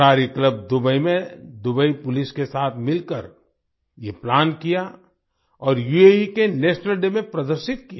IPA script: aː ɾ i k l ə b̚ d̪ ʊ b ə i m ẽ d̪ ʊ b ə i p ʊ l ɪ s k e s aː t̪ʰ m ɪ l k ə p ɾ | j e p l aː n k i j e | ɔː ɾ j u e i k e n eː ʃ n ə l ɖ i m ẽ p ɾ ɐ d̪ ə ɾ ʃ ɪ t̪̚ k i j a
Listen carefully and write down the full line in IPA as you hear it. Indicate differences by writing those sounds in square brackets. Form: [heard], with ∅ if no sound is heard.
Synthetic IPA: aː ɾ i k l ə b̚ d̪ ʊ b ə i m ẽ d̪ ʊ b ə i p ʊ l ɪ s k e s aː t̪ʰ m ɪ l k ə [∅] ɾ | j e p l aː n k i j [a] | ɔː ɾ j u e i k e n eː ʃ n ə l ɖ [e] m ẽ p ɾ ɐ d̪ ə ɾ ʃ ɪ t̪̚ k i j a